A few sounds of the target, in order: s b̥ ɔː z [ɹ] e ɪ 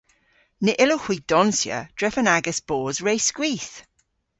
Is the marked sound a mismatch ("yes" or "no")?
no